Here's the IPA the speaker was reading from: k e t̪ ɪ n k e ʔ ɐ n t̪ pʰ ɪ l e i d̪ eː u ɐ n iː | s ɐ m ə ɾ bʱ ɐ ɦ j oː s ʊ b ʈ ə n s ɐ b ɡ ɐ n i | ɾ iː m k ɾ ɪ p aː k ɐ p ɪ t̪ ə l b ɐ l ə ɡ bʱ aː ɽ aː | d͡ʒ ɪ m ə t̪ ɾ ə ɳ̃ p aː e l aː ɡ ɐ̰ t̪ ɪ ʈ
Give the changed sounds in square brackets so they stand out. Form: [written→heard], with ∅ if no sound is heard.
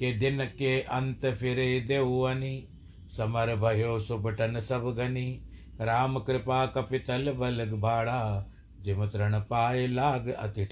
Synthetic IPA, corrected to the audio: k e [t̪→d̪] ɪ n k e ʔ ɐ n t̪ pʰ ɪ [l→ɾ] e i d̪ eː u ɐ n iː | s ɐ m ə ɾ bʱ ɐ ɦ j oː s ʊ b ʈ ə n s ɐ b ɡ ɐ n i | ɾ [iː→aː] m k ɾ ɪ p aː k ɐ p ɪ t̪ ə l b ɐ l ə ɡ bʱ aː ɽ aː | d͡ʒ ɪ m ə t̪ ɾ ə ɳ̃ p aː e l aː ɡ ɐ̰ t̪ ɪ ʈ